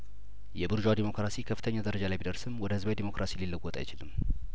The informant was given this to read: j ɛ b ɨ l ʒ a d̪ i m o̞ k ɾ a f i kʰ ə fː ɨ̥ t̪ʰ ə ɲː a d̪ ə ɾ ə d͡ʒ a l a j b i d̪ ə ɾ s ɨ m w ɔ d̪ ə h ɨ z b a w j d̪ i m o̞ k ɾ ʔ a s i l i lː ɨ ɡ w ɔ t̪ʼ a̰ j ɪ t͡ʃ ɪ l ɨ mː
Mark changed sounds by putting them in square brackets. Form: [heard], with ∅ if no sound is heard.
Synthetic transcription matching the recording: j ɛ b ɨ [ɾ] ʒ a d̪ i m o̞ k ɾ a [s] i kʰ ə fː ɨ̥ t̪ʰ ə ɲː a d̪ ə ɾ ə d͡ʒ a l a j b i d̪ ə ɾ s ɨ m w ɔ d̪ ə h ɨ z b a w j d̪ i m o̞ k ɾ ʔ a s i l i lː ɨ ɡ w ɔ t̪ʼ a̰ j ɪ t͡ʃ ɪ l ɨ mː